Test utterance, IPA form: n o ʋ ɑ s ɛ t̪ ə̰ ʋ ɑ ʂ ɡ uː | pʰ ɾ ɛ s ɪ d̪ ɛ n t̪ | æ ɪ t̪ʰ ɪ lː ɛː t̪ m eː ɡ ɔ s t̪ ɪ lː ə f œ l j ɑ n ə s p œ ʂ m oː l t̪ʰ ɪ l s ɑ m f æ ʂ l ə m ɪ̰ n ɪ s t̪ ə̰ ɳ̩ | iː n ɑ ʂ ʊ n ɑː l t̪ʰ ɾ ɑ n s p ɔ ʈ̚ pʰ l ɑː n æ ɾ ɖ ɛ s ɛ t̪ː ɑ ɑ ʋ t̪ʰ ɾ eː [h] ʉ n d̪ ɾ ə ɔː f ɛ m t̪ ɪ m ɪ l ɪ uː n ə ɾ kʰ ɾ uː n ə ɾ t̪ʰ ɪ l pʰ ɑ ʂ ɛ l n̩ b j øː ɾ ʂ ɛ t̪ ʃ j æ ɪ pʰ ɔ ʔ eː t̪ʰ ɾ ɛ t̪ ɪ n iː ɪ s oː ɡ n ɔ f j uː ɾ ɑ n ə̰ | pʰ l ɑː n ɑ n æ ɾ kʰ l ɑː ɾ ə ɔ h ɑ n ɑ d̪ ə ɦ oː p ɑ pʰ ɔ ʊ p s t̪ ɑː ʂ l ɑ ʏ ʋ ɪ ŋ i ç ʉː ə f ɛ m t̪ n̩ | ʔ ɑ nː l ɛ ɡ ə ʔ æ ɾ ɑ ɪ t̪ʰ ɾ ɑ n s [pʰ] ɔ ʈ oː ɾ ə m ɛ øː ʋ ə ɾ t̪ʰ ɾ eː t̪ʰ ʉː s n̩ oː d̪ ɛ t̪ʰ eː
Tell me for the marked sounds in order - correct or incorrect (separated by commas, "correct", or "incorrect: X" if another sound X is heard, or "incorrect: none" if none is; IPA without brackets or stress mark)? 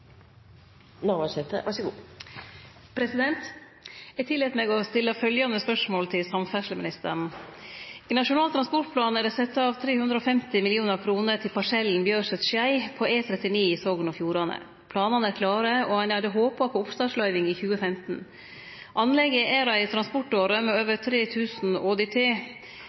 correct, incorrect: p